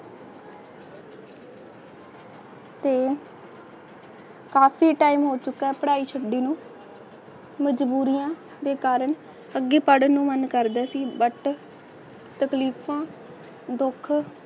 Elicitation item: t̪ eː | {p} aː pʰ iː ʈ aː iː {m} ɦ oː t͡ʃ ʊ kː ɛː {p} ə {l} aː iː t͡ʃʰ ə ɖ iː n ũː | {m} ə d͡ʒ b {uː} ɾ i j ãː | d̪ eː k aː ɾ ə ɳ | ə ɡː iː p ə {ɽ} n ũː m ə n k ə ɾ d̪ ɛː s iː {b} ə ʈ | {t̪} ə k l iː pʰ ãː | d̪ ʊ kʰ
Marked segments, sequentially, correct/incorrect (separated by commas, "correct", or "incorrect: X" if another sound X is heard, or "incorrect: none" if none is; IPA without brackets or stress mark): incorrect: k, correct, correct, incorrect: ɽ, correct, correct, correct, correct, correct